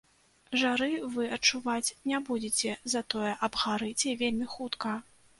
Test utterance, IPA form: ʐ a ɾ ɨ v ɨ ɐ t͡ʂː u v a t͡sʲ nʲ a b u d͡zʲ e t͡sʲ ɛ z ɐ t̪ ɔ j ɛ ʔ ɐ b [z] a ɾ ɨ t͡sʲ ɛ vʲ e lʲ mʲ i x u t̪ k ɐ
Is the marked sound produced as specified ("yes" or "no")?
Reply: no